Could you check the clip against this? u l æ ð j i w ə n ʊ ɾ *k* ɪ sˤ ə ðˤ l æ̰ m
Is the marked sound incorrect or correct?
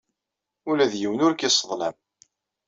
correct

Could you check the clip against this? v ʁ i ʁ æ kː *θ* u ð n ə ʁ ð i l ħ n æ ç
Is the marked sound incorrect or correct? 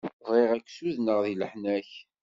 incorrect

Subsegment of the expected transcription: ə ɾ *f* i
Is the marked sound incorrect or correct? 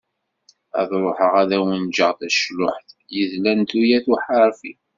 correct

